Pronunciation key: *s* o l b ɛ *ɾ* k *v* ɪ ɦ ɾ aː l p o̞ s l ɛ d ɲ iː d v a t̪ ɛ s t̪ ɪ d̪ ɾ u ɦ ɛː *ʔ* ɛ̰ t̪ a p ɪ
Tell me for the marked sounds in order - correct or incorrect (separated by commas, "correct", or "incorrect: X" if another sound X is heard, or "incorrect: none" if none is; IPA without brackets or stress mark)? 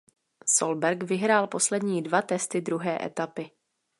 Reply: correct, correct, correct, correct